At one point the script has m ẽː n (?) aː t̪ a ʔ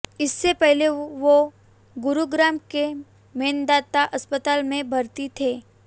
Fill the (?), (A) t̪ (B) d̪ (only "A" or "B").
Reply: B